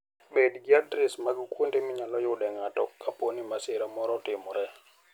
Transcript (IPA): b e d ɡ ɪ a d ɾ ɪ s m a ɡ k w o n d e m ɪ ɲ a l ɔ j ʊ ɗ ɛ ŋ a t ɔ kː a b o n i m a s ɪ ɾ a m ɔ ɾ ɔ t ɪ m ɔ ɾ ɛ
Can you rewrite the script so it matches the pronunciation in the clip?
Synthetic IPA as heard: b e d ɡ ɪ a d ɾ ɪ s m a ɡ k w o n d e m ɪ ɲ a l ɔ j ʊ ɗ ɛ ŋ a t ɔ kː a p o n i m a s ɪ ɾ a m ɔ ɾ ɔ t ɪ m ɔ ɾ ɛ